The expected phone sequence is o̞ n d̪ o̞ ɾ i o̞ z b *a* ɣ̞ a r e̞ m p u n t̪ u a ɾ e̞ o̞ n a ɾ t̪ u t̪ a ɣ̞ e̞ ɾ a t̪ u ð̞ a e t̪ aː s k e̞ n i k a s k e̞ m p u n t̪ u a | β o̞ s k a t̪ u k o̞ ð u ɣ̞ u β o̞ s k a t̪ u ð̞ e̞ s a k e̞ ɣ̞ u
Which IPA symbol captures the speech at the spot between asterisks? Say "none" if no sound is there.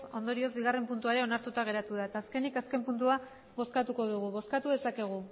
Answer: i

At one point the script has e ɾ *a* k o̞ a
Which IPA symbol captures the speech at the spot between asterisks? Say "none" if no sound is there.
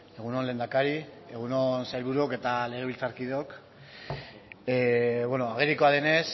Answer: i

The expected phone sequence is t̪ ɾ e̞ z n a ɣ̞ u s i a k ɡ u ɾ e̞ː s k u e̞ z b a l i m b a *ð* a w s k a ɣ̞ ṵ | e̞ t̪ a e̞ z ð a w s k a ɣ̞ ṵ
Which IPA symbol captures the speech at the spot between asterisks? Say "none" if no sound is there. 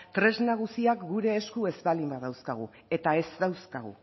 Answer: ð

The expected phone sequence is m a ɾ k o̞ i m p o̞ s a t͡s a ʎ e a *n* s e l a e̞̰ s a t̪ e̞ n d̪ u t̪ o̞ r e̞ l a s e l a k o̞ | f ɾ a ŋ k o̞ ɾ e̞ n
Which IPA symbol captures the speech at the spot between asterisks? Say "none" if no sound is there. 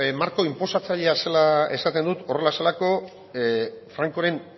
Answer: none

